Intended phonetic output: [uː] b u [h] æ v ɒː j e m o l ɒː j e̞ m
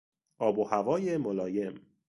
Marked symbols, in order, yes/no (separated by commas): no, yes